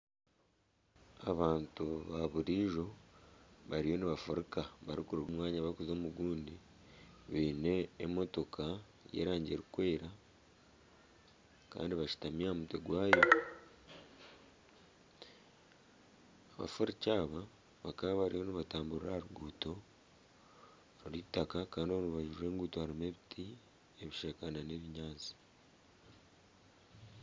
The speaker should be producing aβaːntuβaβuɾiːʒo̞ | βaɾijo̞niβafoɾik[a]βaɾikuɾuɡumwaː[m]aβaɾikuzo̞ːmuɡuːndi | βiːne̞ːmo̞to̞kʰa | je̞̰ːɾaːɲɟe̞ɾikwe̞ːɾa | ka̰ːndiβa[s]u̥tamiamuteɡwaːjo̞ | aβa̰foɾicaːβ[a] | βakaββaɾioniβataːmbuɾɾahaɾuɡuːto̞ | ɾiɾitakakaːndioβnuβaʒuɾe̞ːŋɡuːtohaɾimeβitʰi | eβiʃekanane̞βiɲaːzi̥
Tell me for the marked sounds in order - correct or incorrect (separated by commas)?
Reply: correct, incorrect, incorrect, correct